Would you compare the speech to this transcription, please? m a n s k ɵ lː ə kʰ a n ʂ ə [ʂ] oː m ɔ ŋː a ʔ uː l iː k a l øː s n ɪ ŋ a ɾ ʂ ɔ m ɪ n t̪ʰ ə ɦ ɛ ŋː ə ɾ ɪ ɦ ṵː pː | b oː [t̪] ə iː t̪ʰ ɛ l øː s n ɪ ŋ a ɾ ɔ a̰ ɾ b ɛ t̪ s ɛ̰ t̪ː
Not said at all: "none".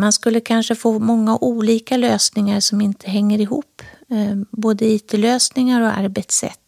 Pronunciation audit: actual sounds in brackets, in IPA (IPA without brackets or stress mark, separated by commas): f, d̪